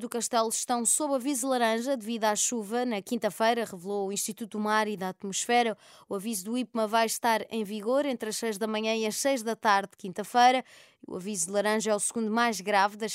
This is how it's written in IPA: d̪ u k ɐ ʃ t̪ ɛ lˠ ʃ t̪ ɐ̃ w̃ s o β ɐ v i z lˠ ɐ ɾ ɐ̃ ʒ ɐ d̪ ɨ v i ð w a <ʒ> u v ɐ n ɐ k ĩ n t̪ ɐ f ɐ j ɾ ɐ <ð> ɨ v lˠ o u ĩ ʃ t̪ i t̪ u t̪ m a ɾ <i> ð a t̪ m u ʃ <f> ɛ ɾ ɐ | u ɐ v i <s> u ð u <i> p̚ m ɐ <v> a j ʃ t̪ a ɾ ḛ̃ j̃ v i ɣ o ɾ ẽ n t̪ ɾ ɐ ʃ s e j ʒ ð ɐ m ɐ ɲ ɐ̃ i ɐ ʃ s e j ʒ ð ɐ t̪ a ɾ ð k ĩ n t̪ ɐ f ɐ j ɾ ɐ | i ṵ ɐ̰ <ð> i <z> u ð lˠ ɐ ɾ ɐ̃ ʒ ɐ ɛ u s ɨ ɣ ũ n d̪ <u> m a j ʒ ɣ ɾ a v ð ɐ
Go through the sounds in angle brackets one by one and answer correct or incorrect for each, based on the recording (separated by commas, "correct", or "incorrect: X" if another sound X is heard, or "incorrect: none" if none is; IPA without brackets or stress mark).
incorrect: ʃ, incorrect: ʁ, correct, correct, incorrect: z, correct, correct, incorrect: v, correct, correct